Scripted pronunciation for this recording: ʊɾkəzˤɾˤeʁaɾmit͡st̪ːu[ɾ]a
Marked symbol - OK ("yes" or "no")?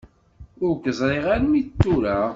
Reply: yes